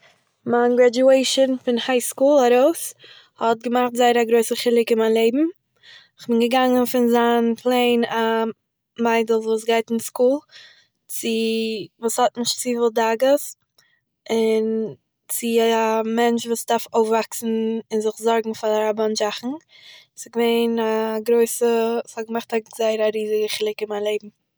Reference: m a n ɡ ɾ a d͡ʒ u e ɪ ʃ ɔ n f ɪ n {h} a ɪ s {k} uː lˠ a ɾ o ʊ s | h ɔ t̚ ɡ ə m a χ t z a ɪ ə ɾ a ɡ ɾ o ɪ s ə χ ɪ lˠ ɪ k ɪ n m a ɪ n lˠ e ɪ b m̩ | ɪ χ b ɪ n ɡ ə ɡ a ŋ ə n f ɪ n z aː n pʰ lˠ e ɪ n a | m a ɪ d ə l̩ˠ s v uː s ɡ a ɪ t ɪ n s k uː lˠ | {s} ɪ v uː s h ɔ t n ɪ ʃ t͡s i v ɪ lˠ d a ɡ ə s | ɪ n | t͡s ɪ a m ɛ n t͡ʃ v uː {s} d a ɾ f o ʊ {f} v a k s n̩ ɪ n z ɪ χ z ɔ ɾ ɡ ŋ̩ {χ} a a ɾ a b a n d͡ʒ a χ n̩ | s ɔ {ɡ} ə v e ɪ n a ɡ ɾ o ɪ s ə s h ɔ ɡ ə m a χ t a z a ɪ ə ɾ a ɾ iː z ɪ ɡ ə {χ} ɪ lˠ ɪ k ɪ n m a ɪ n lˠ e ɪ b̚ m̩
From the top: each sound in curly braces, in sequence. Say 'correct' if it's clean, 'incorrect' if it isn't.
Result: correct, correct, incorrect: t͡s, correct, correct, incorrect: f, correct, correct

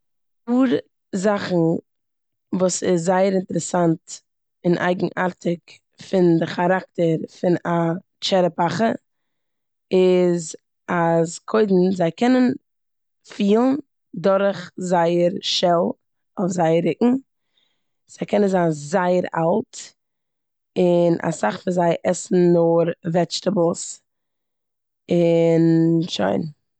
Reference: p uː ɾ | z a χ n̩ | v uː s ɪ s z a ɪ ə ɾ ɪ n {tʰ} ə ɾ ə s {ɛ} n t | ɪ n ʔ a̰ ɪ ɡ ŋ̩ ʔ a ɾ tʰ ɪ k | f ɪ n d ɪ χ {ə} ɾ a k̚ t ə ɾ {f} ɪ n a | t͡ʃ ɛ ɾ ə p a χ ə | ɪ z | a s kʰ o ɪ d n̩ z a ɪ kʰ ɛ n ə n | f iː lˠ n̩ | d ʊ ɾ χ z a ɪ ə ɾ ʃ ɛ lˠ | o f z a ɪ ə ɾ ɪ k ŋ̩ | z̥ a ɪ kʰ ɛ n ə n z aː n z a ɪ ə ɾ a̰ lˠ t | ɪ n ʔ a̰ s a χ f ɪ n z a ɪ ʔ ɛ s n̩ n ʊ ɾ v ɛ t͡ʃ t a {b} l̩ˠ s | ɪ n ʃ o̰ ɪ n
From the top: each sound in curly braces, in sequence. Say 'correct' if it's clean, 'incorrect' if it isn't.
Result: incorrect: t, incorrect: a, incorrect: a, correct, correct

